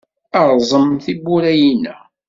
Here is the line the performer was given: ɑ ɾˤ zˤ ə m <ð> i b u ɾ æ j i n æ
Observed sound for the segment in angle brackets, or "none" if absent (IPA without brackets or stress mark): θ